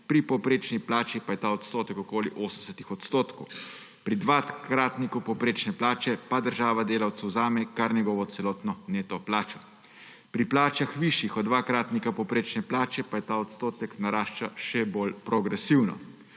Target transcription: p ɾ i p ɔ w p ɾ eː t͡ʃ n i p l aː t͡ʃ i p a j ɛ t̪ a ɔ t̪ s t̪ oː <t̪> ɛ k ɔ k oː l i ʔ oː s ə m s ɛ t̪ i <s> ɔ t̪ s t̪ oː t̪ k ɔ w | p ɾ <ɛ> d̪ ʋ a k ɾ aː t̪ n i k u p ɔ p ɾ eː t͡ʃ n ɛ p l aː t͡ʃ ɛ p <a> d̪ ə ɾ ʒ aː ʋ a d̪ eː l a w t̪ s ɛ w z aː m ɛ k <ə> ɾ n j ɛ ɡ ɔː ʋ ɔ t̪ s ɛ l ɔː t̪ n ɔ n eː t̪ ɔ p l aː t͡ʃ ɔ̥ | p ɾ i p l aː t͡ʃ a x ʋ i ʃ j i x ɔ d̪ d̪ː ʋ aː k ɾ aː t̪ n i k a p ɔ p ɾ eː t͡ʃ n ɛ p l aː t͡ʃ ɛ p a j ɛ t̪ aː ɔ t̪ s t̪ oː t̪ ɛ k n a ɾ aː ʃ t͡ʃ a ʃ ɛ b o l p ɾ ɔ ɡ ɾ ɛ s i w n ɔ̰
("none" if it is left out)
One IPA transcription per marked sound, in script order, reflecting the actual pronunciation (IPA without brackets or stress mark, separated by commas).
t̪, x, i, a, a